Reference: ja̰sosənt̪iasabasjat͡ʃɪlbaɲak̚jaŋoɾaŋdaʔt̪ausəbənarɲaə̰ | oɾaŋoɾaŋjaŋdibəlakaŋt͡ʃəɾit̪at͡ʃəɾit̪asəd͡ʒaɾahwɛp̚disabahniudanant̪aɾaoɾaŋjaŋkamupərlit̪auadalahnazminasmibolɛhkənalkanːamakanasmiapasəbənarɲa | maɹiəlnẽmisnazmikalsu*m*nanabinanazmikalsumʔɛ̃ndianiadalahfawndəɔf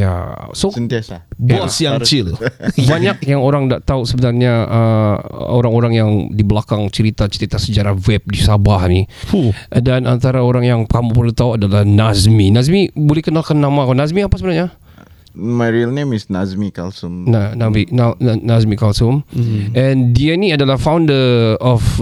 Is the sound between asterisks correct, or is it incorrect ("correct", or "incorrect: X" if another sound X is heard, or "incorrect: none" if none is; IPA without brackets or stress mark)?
correct